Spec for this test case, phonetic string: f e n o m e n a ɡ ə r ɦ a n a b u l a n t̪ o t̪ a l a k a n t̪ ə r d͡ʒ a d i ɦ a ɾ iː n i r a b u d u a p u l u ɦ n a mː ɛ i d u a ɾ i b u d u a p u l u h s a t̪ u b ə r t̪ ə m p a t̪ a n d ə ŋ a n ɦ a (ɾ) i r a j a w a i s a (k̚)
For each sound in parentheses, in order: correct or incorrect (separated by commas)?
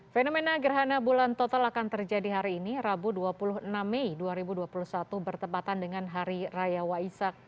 correct, correct